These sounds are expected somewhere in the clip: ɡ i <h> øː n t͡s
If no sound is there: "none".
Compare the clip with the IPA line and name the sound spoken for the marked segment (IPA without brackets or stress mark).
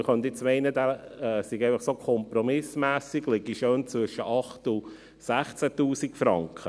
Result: ʃ